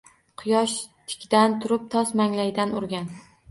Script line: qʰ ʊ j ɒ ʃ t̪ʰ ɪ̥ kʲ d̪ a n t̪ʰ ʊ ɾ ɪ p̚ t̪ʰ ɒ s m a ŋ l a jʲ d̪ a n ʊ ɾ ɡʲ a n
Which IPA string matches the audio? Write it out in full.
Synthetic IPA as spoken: qʰ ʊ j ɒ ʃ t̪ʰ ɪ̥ kʲ d̪ a n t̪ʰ ʊ ɾ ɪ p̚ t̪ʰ ɒ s m a ŋ l a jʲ d̪ a n ʊ ɾ ɡʲ a n